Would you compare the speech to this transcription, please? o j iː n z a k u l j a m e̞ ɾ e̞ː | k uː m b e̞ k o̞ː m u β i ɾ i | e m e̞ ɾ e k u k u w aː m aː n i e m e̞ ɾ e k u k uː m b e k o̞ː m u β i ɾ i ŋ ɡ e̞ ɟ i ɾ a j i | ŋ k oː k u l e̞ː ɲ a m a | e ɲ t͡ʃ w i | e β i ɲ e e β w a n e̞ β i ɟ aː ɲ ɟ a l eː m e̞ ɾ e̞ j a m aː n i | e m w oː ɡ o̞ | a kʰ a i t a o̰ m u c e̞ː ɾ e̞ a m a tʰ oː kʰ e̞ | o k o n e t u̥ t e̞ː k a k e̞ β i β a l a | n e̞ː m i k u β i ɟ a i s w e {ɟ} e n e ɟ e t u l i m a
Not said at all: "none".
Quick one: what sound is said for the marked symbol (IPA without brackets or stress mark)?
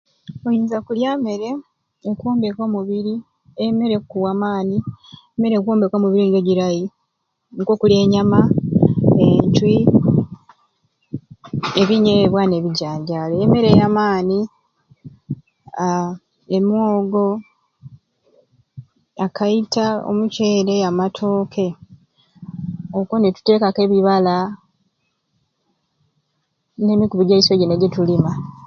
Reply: ɟ